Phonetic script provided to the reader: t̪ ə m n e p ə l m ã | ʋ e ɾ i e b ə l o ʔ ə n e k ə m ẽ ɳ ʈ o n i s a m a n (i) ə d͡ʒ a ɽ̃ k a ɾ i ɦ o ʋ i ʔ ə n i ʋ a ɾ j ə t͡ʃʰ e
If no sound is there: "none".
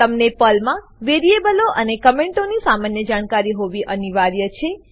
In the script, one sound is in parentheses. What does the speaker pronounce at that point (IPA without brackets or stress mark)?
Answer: j